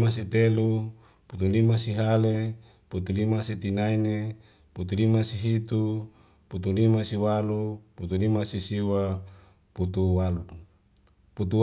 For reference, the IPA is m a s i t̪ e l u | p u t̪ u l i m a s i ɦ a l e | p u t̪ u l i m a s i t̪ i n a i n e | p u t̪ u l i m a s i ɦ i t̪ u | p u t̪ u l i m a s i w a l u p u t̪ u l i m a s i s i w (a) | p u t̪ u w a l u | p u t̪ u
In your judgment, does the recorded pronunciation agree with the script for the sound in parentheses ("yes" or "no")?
yes